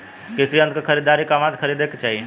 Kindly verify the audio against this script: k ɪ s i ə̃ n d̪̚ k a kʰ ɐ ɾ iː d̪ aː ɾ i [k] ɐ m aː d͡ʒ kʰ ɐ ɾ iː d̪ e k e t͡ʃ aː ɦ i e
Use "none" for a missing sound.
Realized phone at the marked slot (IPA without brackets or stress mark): k